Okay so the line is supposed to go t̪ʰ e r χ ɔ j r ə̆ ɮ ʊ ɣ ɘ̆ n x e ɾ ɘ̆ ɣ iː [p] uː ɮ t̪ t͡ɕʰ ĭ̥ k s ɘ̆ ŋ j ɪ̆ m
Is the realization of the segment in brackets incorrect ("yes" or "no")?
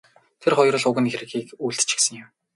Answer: yes